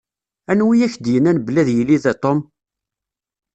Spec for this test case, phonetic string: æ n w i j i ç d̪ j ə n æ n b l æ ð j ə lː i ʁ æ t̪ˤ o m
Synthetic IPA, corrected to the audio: æ n w i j æ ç d̪ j ə n æ n b l æ ð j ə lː i ð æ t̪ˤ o m